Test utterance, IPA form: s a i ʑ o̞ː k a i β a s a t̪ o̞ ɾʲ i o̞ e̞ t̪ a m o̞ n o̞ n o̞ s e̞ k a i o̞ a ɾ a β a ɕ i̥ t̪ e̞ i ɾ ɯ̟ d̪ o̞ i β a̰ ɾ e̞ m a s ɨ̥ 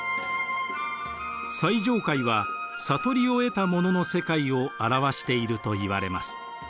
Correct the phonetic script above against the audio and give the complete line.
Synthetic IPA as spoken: s a i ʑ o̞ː k a i β a s a t̪ o̞ ɾʲ i o̞ e̞ t̪ a m o̞ n o̞ n o̞ s e̞ k a i o̞ a ɾ a β a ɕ i̥ t̪ e̞ i ɾ ɯ̟ t̪ o̞ i β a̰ ɾ e̞ m a s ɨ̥